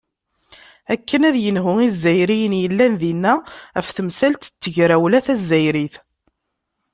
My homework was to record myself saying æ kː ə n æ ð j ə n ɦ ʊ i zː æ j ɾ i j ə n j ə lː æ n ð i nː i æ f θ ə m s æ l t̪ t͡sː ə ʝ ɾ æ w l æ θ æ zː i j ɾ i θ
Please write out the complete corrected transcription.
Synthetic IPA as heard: æ kː ə n æ ð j ə n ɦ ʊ i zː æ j ɾ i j ə n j ə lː æ n ð i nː æ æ f θ ə m s æ l t̪ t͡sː ə ʝ ɾ æ w l æ θ æ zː æ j ɾ i θ